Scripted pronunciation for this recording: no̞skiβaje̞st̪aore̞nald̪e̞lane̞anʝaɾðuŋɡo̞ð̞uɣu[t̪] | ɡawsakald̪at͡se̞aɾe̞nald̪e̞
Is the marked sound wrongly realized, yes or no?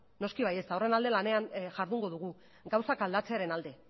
yes